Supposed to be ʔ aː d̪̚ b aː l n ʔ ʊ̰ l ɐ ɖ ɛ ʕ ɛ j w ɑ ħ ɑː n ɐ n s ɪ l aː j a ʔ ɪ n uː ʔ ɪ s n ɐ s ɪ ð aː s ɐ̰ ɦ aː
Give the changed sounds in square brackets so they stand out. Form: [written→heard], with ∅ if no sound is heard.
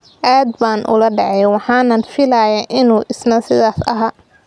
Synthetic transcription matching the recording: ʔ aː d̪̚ b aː [l→∅] n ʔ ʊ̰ l ɐ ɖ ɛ ʕ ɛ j w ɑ ħ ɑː n ɐ n [s→f] ɪ l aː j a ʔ ɪ n uː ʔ ɪ s n ɐ s ɪ ð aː s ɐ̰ ɦ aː